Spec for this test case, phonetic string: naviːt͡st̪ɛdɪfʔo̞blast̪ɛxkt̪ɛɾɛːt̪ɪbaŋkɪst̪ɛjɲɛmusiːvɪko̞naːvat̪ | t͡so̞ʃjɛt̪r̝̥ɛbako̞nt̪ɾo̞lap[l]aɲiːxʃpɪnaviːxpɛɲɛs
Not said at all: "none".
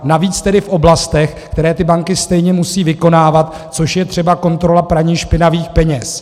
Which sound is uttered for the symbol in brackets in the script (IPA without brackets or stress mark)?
ɾ